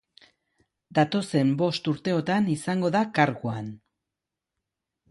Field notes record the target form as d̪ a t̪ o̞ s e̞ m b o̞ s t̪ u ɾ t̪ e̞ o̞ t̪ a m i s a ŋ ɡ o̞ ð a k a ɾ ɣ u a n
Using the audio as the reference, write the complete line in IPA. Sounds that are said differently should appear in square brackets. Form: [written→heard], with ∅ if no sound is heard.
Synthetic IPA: d̪ a t̪ o̞ s e̞ m b o̞ s t̪ u ɾ t̪ e̞ o̞ t̪ a [m→n] i s a ŋ ɡ o̞ ð a k a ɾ ɣ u a n